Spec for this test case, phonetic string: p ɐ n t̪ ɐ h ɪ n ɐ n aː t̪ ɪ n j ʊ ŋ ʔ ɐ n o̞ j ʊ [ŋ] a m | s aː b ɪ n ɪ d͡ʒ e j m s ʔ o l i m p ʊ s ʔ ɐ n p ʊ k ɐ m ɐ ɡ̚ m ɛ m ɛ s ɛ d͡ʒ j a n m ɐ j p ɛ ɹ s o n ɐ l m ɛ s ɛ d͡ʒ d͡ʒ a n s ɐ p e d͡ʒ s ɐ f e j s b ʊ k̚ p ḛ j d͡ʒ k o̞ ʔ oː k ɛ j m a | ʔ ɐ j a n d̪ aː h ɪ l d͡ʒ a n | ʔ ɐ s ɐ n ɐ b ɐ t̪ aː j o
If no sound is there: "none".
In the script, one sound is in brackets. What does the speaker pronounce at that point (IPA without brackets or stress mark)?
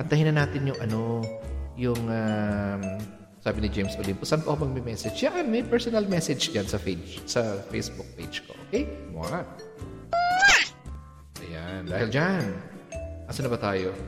ŋ